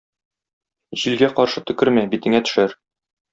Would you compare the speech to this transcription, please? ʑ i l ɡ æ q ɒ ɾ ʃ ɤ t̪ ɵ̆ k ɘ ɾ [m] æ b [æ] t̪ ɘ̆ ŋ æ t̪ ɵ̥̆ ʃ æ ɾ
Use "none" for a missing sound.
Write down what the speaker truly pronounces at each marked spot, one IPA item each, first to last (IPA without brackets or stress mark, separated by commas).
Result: m, i